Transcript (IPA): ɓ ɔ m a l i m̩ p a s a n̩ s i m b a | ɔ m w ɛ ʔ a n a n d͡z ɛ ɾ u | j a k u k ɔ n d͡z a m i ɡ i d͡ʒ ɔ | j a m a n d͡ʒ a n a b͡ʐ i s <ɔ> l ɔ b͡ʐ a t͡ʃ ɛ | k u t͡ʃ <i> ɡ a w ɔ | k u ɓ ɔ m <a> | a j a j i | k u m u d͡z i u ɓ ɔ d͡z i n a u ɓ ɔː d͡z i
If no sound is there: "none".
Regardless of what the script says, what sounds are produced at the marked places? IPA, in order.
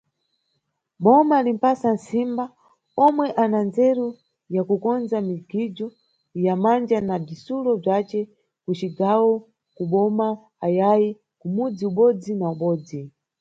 u, i, a

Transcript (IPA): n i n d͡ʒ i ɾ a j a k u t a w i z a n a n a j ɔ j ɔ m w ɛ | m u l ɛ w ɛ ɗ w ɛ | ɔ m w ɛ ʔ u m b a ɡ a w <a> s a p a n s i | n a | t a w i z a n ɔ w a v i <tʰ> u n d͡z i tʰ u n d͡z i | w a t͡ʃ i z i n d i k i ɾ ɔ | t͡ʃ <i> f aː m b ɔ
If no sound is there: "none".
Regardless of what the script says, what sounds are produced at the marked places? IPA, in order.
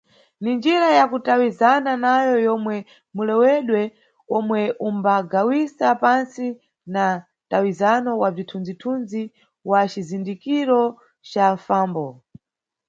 i, tʰ, a

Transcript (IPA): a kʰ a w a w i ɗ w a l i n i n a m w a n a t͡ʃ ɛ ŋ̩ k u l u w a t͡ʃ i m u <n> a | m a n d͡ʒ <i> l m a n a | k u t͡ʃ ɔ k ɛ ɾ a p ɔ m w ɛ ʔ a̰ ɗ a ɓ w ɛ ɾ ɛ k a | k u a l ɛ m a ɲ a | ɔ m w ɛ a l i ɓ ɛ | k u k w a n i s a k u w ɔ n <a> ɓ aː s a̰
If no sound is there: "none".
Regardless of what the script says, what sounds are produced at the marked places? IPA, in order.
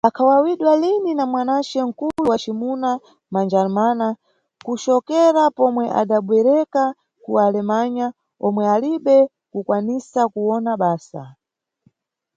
n, a, a

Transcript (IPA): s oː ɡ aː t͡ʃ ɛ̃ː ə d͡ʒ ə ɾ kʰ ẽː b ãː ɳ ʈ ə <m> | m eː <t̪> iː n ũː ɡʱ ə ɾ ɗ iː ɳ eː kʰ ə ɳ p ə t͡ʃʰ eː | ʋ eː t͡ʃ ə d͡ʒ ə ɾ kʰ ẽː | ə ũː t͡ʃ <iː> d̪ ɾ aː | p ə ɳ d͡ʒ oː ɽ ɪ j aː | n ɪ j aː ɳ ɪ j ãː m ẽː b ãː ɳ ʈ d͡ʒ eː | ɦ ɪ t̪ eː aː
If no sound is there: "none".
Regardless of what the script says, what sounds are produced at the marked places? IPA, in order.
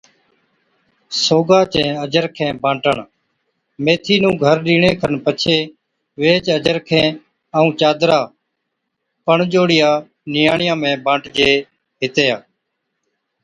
ɳ, t̪ʰ, aː

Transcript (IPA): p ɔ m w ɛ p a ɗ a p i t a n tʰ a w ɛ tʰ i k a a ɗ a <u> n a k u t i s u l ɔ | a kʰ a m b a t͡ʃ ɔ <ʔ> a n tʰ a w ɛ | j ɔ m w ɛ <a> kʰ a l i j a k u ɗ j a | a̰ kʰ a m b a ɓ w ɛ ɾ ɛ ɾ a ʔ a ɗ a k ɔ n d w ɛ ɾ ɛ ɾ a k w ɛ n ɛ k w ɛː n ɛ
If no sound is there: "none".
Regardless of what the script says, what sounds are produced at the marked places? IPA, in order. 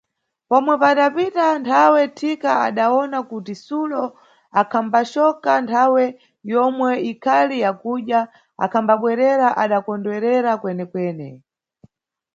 ɔ, k, i

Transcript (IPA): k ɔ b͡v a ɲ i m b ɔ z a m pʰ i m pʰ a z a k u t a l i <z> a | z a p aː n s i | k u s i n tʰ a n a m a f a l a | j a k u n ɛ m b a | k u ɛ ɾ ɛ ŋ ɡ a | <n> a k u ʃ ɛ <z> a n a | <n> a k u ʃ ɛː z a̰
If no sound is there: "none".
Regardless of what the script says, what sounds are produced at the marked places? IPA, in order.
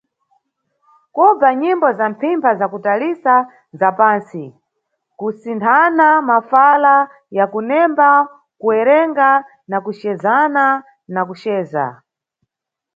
s, n, z, n

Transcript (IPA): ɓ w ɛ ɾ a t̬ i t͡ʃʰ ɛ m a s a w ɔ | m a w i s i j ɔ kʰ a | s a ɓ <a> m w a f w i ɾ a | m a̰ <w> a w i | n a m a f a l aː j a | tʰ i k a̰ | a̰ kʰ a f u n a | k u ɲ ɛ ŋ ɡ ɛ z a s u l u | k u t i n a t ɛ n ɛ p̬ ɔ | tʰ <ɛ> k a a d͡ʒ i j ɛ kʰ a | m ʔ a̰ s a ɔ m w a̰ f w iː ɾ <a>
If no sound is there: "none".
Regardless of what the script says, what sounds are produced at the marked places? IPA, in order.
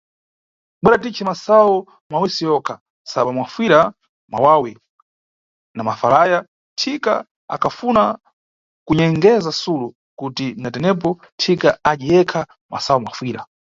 a, w, i, a

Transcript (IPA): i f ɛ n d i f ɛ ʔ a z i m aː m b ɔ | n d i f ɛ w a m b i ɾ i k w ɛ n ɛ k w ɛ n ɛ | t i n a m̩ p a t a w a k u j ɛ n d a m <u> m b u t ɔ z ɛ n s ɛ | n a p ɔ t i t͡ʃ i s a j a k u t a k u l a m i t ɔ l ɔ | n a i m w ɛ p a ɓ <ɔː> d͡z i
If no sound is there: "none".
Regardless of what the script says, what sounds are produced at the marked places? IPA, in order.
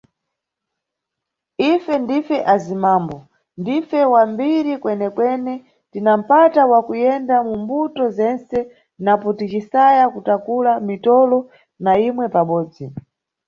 u, ɔː

